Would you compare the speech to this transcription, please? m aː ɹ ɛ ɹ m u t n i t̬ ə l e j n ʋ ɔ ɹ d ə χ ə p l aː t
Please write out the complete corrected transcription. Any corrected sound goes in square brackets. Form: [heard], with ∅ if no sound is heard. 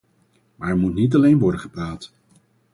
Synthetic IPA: m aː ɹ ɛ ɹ m u t n i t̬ [ɑ] l e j n ʋ ɔ ɹ d ə χ ə p [r] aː t

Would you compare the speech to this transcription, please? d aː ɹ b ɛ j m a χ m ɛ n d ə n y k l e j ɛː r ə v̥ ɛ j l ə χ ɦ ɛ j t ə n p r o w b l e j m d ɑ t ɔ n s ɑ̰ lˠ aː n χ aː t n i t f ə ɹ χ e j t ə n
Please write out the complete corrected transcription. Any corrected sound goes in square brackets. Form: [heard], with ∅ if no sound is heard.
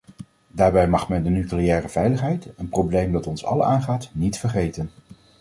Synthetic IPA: d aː ɹ b ɛ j m [ɑ] χ m ɛ n d ə n y k l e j ɛː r ə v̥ ɛ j l ə χ ɦ ɛ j t ə n p r o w b l e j m d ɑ t ɔ n s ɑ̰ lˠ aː n χ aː t n i t f ə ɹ χ e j t ə n

